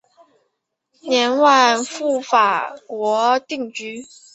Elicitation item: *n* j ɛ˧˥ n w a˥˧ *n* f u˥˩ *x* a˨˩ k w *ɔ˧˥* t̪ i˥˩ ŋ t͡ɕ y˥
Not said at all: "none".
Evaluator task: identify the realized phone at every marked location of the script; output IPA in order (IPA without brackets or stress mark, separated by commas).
n, n, f, ɔ˧˥